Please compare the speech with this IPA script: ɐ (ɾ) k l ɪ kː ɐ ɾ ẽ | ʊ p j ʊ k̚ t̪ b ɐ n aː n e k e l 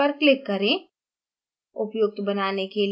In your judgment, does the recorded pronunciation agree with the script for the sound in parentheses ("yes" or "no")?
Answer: yes